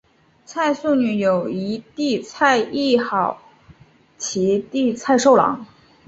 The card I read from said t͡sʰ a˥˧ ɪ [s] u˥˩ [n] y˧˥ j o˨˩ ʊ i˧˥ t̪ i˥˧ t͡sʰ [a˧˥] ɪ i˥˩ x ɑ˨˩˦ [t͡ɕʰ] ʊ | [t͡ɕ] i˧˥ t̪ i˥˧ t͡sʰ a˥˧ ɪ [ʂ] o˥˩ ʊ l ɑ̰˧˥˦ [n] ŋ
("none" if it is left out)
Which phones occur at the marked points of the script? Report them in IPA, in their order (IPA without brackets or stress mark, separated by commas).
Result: s, n, a˥˧, none, t͡ɕʰ, ʂ, none